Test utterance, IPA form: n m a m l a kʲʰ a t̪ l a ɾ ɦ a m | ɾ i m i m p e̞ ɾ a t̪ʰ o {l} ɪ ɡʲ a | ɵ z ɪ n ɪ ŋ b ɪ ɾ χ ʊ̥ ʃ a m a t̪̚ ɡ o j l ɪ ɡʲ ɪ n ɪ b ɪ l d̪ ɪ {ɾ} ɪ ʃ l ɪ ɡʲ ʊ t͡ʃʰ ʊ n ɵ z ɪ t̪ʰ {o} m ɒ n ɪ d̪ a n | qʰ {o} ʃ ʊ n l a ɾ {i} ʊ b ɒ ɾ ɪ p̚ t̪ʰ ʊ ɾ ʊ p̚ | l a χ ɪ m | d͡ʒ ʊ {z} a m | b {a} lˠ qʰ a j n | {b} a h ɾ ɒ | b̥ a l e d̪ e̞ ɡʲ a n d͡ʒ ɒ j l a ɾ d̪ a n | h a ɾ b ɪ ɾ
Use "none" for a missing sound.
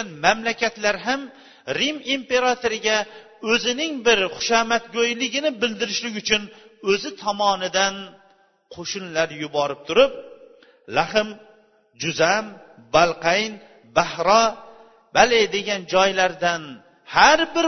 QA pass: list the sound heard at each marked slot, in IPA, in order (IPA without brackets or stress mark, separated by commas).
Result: ɾ, ɾ, ɒ, o, j, z, a, b